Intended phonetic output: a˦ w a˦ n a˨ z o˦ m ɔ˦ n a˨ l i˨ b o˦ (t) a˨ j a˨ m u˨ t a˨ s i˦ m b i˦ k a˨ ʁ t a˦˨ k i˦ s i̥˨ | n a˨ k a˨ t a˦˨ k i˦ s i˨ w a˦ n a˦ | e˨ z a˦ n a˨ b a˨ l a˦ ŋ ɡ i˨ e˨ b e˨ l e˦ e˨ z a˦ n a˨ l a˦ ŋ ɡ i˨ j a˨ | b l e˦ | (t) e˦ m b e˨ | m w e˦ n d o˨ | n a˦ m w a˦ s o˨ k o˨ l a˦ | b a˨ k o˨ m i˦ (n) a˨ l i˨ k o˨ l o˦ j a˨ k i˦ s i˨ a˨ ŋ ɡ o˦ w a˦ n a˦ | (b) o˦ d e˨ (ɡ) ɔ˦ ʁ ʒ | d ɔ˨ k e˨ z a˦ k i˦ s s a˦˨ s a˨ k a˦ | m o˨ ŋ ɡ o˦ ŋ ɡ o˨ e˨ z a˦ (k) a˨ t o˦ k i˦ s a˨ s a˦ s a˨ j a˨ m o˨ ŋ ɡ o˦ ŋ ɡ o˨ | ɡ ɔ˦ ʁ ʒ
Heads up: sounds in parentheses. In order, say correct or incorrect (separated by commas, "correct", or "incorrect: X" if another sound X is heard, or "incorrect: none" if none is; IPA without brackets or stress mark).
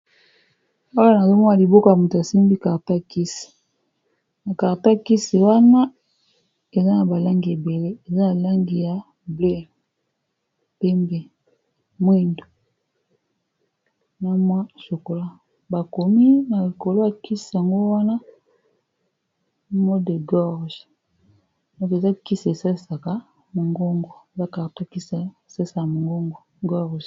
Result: incorrect: k, incorrect: p, correct, incorrect: m, correct, correct